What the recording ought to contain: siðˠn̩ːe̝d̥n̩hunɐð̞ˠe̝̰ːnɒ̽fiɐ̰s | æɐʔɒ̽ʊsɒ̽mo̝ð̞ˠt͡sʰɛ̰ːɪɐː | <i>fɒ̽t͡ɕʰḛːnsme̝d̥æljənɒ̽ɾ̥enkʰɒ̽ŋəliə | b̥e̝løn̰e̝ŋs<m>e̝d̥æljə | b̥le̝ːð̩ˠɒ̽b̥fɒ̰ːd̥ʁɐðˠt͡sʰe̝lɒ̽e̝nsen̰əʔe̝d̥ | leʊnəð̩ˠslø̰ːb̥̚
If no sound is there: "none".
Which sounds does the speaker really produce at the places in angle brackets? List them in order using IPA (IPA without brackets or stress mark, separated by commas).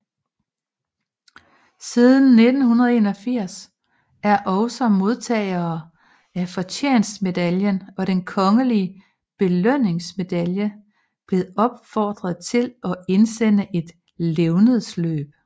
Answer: æ, m